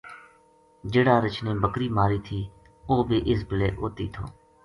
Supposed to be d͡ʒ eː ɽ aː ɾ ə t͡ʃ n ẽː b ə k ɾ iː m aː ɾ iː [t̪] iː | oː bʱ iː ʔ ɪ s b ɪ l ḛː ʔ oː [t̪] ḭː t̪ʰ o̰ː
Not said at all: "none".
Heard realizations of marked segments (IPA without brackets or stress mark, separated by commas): t̪ʰ, t̪